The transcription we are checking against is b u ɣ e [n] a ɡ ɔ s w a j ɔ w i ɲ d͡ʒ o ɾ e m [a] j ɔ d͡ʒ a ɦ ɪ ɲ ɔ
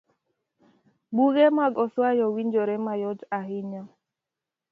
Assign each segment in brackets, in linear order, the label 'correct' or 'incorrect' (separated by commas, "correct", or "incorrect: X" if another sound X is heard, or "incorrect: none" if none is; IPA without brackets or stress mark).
incorrect: m, correct